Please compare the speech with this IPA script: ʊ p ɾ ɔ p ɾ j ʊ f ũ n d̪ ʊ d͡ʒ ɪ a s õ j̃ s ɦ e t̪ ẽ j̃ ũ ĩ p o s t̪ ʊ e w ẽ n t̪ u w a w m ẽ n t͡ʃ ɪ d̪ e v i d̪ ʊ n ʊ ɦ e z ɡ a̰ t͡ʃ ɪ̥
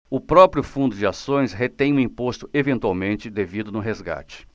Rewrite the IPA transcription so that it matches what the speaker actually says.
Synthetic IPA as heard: ʊ p ɾ ɔ p ɾ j ʊ f ũ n d̪ ʊ d͡ʒ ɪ a s õ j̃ s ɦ e t̪ ẽ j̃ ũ ĩ p o s t̪ ʊ e v ẽ n t̪ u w a w m ẽ n t͡ʃ ɪ d̪ e v i d̪ ʊ n ʊ ɦ e z ɡ a̰ t͡ʃ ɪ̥